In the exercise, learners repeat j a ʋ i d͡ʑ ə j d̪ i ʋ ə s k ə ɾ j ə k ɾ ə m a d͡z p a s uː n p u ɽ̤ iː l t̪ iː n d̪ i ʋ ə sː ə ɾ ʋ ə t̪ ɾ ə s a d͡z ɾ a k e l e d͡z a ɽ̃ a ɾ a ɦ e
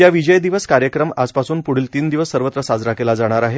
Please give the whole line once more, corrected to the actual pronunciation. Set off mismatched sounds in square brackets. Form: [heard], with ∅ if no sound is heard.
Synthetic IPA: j a ʋ i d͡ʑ ə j d̪ i ʋ ə s k [a] ɾ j ə k ɾ ə m a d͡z p a s uː n p u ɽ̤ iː l t̪ iː n d̪ i ʋ ə sː ə ɾ ʋ ə t̪ ɾ ə s a d͡z ɾ a k e l [a] d͡z a ɽ̃ a ɾ a ɦ e